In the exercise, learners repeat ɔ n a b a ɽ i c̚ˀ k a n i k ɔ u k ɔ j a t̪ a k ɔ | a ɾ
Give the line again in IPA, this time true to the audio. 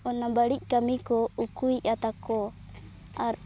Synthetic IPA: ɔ n a b a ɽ i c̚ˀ k a m i k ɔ u k u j a t̪ a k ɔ | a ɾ